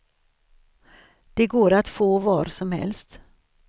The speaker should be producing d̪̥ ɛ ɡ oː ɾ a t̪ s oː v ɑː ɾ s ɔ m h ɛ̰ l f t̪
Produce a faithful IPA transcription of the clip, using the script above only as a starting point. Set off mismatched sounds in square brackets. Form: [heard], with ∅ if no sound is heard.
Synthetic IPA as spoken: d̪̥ ɛ ɡ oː ɾ a t̪ [f] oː v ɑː ɾ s ɔ m h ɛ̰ l [s] t̪